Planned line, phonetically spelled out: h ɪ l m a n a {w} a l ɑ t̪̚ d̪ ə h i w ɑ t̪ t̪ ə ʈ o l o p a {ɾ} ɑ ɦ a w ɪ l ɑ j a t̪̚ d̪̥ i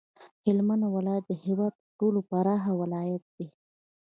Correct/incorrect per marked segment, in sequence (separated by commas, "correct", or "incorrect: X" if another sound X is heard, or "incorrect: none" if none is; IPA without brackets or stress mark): correct, correct